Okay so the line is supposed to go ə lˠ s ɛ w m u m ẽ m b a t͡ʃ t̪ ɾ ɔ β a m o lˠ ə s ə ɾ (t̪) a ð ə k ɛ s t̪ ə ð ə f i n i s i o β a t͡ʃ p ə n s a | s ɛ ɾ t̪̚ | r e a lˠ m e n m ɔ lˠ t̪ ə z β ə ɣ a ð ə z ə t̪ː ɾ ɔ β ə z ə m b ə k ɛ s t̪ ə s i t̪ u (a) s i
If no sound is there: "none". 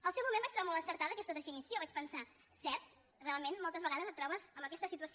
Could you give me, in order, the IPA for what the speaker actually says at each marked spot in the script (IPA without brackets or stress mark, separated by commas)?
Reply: t̪, ə